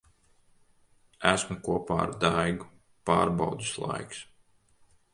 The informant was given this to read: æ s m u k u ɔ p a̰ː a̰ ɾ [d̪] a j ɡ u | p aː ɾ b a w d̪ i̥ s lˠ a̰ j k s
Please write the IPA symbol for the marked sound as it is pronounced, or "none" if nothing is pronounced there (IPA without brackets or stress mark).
d̪